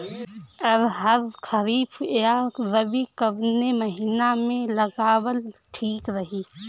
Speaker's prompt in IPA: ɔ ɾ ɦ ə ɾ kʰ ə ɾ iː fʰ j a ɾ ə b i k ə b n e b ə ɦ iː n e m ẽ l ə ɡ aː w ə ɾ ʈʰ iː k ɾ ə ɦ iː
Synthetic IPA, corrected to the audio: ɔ ɾ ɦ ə ɾ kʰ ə ɾ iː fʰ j a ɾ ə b i k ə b n e m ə ɦ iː n a m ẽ l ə ɡ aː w ə l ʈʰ iː k ɾ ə ɦ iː

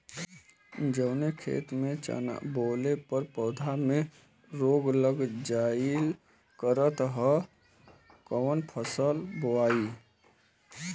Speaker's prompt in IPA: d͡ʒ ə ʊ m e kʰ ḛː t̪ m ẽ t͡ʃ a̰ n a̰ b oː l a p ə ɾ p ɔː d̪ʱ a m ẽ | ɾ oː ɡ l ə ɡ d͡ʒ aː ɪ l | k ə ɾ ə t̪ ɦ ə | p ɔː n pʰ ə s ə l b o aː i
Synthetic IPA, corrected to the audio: d͡ʒ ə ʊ n e kʰ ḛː t̪ m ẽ t͡ʃ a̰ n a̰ b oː l e p ə ɾ p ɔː d̪ʱ a m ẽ | ɾ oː ɡ l ə ɡ d͡ʒ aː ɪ l | k ə ɾ ə t̪ ɦ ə | k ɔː n pʰ ə s ə l b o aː i

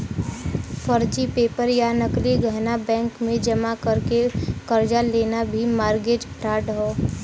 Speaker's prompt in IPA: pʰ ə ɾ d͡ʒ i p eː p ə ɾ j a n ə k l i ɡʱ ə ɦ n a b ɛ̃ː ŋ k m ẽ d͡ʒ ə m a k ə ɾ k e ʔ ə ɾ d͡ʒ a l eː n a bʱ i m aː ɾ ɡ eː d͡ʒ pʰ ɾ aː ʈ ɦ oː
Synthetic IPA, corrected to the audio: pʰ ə ɾ d͡ʒ i p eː p ə ɾ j a n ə k l i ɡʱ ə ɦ n a b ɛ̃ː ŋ k m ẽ d͡ʒ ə m a k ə ɾ k e k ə ɾ d͡ʒ a l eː n a bʱ i m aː ɾ ɡ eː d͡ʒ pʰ ɾ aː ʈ ɦ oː

